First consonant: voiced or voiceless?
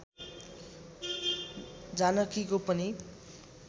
voiced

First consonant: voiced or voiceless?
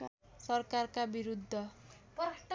voiceless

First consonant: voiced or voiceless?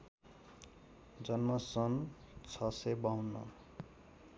voiced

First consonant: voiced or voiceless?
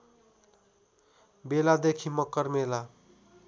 voiced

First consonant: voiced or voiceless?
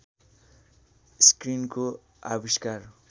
voiceless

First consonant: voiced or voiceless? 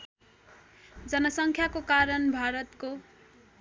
voiced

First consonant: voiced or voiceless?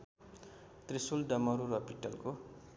voiceless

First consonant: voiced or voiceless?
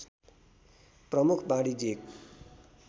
voiceless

